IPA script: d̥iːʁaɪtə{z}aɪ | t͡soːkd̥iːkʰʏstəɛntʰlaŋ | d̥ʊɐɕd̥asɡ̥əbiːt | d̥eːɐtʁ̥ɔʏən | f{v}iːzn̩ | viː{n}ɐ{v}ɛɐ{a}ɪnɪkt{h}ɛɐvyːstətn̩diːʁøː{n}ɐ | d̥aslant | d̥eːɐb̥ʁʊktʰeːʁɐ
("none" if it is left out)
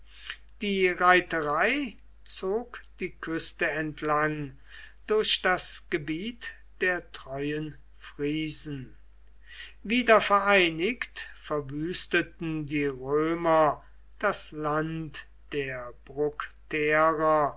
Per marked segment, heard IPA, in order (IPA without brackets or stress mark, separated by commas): ʁ, ʁ, d, f, a, f, m